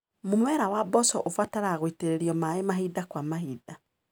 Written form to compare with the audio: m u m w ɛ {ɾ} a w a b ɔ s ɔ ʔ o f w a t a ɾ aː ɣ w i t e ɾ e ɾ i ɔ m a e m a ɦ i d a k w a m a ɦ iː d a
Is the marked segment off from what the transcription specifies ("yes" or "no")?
no